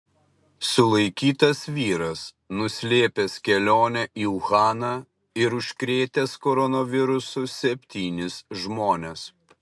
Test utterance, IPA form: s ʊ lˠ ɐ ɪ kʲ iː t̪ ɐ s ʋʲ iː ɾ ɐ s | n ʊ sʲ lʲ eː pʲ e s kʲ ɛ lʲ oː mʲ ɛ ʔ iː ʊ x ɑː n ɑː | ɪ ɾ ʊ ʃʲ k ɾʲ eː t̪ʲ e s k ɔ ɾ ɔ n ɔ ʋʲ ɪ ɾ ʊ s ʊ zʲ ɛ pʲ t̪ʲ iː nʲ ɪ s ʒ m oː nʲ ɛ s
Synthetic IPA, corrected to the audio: s ʊ lˠ ɐ ɪ kʲ iː t̪ ɐ s ʋʲ iː ɾ ɐ s | n ʊ sʲ lʲ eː pʲ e s kʲ ɛ lʲ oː nʲ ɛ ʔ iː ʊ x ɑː n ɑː | ɪ ɾ ʊ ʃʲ k ɾʲ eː t̪ʲ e s k ɔ ɾ ɔ n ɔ ʋʲ ɪ ɾ ʊ s ʊ sʲ ɛ pʲ t̪ʲ iː nʲ ɪ s ʒ m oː nʲ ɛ s